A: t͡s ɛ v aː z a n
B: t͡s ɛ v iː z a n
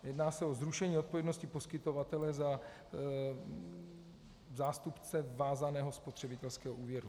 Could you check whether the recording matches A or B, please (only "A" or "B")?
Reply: A